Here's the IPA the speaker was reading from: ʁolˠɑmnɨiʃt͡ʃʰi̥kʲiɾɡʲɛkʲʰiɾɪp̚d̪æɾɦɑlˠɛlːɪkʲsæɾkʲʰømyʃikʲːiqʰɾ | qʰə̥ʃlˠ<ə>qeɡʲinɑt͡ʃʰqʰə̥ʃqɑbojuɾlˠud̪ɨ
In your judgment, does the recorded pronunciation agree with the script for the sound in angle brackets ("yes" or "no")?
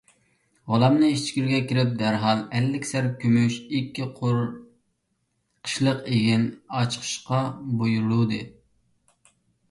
yes